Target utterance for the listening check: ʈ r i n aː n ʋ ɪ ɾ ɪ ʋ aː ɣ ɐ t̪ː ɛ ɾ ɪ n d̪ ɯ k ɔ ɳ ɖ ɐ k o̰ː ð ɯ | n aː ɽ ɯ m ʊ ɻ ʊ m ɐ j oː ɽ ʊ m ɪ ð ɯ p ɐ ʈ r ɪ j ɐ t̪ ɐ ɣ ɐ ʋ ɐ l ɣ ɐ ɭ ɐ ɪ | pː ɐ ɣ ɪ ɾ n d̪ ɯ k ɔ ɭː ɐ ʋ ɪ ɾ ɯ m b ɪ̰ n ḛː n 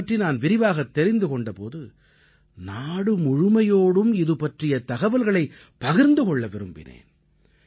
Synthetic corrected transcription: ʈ r i n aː n ʋ ɪ ɾ ɪ ʋ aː ɣ ɐ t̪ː ɛ ɾ ɪ n d̪ ɯ k ɔ ɳ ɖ ɐ p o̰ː ð ɯ | n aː ɽ ɯ m ʊ ɻ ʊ m ɐ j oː ɽ ɯ m ɪ ð ɯ p ɐ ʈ r ɪ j ɐ t̪ ɐ ɣ ɐ ʋ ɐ l ɣ ɐ ɭ ɐ ɪ | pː ɐ ɣ ɪ ɾ n d̪ ɯ k ɔ ɭː ɐ ʋ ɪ ɾ ɯ m b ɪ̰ n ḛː n